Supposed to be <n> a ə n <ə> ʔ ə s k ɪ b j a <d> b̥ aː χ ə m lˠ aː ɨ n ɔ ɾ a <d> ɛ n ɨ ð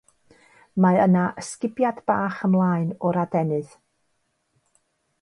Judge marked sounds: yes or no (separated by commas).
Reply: no, no, yes, yes